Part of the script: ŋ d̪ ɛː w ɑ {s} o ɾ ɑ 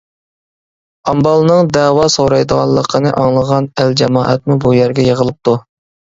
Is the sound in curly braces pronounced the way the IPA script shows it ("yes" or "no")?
yes